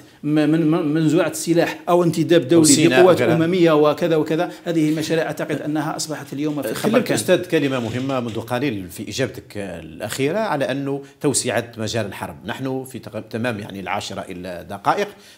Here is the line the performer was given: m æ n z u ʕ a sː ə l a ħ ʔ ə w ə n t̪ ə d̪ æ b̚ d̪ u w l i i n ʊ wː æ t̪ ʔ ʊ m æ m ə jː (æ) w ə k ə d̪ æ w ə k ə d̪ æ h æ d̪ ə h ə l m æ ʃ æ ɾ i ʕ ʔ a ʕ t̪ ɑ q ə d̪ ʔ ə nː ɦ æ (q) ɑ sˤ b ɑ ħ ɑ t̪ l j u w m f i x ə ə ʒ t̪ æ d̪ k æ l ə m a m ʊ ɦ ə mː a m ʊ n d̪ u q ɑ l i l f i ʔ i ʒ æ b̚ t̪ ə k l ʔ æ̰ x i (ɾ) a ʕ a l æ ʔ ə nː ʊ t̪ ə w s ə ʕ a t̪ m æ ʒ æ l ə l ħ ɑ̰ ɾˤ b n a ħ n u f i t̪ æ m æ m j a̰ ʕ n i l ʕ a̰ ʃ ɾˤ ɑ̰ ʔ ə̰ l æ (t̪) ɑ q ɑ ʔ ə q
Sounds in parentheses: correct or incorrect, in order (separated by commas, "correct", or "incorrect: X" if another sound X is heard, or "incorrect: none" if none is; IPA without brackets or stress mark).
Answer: incorrect: a, incorrect: ʔ, correct, incorrect: d̪